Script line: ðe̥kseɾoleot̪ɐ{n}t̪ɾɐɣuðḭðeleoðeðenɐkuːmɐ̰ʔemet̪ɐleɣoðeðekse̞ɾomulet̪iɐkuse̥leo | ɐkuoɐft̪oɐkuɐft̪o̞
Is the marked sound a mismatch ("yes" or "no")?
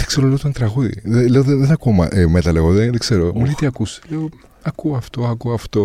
no